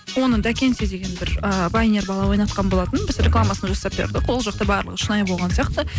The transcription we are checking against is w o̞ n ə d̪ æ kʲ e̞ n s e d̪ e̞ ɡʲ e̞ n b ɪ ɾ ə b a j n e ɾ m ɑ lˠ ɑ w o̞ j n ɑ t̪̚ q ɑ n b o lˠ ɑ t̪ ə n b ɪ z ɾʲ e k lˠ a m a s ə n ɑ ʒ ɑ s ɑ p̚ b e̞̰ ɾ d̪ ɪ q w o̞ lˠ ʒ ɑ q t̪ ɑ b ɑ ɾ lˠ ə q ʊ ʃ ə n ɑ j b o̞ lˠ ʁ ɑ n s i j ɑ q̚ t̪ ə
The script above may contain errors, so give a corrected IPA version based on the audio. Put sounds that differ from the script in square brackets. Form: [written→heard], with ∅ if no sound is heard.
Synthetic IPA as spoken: w o̞ n ə d̪ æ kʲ e̞ n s e d̪ e̞ ɡʲ e̞ n b ɪ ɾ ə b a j n e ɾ [m→b] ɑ lˠ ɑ w o̞ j n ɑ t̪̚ q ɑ n b o lˠ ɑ t̪ ə n b ɪ z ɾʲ e k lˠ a m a s ə n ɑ ʒ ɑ s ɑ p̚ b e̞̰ ɾ d̪ ɪ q w o̞ lˠ ʒ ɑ q t̪ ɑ b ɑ ɾ lˠ ə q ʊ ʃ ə n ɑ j b o̞ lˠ ʁ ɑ n s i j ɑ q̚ t̪ ə